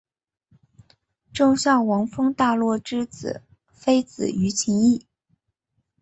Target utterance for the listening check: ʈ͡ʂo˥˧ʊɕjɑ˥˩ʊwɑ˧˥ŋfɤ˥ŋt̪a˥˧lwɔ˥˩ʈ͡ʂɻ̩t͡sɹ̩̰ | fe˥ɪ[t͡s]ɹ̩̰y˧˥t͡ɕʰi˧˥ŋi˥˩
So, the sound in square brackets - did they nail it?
yes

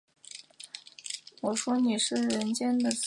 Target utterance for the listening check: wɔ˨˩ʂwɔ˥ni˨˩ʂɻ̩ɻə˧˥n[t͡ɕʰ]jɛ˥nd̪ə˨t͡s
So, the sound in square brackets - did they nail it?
no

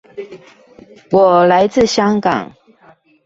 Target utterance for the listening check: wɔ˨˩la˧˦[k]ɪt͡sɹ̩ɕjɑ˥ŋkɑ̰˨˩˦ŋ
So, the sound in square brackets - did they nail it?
no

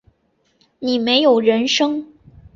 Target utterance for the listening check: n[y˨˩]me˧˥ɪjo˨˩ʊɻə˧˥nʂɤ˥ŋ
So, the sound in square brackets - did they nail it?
no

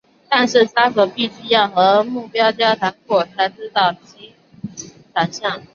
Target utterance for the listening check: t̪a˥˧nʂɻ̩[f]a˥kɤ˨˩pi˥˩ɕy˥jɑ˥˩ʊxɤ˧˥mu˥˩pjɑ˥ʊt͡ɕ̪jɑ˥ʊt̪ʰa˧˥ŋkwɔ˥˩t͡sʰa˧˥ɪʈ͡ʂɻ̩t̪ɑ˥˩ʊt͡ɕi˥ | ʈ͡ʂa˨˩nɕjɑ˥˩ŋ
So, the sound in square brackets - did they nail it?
no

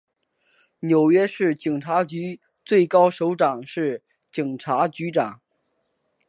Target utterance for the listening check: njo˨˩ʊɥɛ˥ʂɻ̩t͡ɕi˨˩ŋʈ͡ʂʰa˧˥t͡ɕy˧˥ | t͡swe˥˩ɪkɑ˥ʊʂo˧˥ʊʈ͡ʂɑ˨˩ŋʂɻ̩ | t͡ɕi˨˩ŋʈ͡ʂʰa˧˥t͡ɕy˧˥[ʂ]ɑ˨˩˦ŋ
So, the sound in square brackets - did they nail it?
no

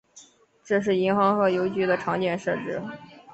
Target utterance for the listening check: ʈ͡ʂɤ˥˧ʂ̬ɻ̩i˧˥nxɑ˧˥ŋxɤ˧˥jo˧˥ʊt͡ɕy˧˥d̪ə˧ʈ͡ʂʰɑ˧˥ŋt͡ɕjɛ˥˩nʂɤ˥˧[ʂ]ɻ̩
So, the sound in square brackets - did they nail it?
no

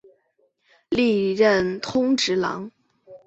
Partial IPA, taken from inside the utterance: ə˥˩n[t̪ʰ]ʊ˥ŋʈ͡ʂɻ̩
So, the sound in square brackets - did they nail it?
yes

